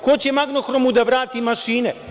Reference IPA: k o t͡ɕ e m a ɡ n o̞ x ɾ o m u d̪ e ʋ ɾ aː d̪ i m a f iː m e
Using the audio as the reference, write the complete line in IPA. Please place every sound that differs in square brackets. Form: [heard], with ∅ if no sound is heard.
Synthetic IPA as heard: k o t͡ɕ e m a ɡ n o̞ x ɾ o m u d̪ [a] ʋ ɾ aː [t̪] i m a [ʃ] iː [n] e